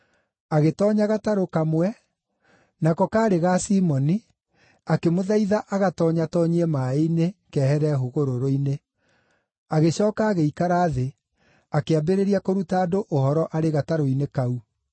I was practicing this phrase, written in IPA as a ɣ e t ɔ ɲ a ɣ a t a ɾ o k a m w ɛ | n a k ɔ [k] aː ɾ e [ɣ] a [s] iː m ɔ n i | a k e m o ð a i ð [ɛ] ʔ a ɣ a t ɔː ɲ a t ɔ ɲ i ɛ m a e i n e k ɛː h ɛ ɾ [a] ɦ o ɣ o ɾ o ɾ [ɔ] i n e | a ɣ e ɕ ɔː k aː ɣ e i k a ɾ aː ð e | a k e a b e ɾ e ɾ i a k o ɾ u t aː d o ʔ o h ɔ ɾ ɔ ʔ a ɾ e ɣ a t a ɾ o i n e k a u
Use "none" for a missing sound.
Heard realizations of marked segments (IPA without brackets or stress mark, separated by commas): k, ɣ, s, a, ɛ, o